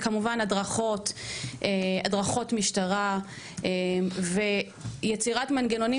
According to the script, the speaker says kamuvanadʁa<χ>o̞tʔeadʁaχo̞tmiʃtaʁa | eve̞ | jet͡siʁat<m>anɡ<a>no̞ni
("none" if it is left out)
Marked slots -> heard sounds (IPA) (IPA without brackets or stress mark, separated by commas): χ, m, e